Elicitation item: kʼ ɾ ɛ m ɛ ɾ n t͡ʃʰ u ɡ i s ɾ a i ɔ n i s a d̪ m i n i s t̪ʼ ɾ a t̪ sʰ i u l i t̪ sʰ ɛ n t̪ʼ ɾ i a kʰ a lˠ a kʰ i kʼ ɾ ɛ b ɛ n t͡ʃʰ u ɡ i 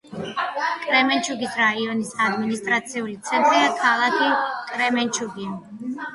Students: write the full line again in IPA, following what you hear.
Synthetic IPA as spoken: kʼ ɾ ɛ m ɛ n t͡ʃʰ u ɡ i s ɾ a i ɔ n i s a d̪ m i n i s t̪ʼ ɾ a t̪ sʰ i u l i t̪ sʰ ɛ n t̪ʼ ɾ i a kʰ a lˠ a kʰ i kʼ ɾ ɛ m ɛ n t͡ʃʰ u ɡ i